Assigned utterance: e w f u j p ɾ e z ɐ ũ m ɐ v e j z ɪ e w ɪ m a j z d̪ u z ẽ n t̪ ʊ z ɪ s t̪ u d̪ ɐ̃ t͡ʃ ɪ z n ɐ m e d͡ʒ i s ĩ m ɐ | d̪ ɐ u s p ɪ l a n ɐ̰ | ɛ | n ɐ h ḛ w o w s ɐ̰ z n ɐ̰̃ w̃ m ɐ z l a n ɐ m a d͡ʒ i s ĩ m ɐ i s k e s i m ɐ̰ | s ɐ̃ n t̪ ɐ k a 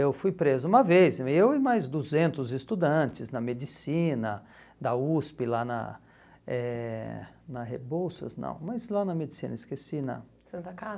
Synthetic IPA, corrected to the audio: e w f u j p ɾ e z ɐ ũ m ɐ v e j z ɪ e w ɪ m a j z d̪ u z ẽ n t̪ ʊ z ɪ s t̪ u d̪ ɐ̃ t͡ʃ ɪ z n ɐ m e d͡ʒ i s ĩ n ɐ | d̪ ɐ u s p ɪ l a n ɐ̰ | ɛ | n ɐ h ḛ b o w s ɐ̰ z n ɐ̰̃ w̃ m ɐ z l a n ɐ m e d͡ʒ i s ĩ n ɐ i s k e s i n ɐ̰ | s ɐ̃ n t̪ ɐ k a